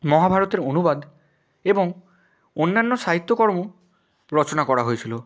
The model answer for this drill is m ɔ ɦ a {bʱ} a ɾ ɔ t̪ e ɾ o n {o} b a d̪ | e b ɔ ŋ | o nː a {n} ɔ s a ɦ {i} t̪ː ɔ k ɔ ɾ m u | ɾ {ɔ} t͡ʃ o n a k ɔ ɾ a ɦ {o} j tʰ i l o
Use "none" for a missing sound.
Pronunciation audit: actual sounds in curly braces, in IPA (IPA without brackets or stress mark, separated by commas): bʱ, u, nː, i, ɔ, o